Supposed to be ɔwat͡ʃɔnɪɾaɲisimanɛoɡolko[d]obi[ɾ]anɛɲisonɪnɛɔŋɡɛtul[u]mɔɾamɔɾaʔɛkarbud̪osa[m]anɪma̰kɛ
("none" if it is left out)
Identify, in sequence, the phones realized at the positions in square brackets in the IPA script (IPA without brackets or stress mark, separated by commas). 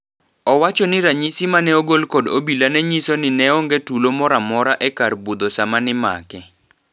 d, l, o, m